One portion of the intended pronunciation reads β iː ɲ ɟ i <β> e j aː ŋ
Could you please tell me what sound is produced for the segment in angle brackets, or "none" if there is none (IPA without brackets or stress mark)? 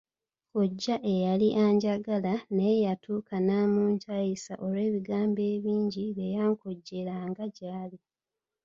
β